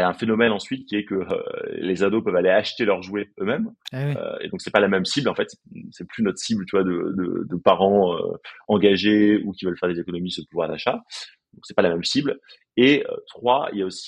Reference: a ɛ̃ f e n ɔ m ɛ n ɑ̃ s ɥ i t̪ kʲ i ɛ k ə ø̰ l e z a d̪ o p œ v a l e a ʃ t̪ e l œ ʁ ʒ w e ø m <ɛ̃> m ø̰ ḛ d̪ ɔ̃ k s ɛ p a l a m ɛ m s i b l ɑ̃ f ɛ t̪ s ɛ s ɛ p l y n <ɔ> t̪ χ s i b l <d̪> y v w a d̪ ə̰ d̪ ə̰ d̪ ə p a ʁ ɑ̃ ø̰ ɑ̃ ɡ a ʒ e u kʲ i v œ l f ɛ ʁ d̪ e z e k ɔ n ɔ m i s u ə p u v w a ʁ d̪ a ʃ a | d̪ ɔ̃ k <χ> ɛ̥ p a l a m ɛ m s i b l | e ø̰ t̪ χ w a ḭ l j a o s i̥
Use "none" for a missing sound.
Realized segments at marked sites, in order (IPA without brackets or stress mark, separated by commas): ɛ, ɔ, t̪, s